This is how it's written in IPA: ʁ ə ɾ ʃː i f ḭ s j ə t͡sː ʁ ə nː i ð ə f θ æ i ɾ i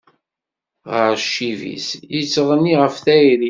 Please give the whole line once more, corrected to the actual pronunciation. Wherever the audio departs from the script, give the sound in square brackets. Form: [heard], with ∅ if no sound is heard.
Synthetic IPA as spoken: ʁ ə ɾ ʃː i [v] ḭ s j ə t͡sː ʁ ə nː i [ʁ] ə f θ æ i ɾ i